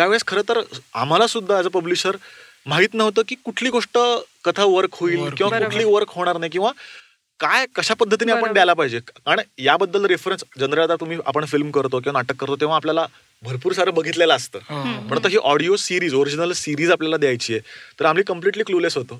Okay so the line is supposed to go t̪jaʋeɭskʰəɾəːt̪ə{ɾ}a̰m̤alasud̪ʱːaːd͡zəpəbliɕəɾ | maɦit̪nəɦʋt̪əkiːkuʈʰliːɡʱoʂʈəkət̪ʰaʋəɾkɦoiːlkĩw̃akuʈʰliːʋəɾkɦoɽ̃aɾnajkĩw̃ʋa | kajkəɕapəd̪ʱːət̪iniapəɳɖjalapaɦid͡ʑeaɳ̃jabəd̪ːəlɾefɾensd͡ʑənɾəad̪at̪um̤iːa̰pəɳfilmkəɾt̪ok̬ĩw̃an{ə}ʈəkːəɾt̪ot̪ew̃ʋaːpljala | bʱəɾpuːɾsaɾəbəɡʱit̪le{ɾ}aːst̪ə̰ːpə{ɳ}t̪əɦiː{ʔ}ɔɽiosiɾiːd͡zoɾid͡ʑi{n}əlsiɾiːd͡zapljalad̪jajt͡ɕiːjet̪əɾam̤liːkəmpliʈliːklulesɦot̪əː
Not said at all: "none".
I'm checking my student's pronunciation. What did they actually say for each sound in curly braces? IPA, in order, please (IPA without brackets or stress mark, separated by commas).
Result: ɾ, a, l, ɳ, ʔ, n